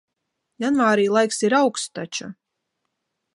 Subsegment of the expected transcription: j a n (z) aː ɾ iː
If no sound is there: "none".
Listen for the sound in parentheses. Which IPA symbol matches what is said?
v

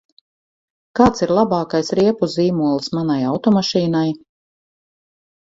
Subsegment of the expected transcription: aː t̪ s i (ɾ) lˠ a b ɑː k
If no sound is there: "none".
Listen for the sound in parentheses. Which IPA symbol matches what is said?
ɾ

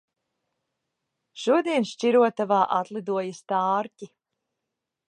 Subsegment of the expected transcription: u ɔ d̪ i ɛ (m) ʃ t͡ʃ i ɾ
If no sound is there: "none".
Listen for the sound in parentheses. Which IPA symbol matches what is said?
n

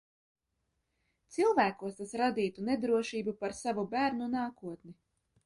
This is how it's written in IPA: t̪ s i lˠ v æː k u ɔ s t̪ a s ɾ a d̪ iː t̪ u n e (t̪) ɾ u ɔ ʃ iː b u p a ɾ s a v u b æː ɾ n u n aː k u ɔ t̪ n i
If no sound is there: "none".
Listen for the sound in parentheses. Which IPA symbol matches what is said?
d̪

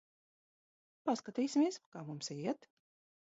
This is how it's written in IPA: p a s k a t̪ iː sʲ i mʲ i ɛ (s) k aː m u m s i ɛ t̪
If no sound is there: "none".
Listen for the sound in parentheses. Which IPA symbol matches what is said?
s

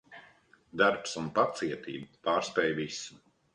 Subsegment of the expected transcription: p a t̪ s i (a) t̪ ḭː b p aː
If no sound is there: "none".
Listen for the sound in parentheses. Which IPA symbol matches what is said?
ɛ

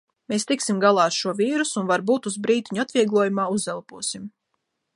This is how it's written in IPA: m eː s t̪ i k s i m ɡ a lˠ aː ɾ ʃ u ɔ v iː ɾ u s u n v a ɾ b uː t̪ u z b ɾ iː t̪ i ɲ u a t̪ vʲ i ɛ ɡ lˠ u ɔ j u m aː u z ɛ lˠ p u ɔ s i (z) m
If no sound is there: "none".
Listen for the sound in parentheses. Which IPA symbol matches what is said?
none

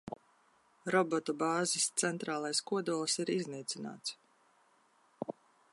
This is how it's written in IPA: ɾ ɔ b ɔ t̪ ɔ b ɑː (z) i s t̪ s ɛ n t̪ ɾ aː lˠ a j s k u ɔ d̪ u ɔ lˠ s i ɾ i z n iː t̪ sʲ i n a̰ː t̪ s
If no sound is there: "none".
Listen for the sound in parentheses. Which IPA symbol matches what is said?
z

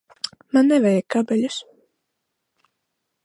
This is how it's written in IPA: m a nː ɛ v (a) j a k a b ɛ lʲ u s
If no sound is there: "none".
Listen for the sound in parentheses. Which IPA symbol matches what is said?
ɛ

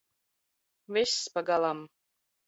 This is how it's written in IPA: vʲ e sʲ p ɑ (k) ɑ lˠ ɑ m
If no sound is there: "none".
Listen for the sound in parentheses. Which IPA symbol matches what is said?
ɡ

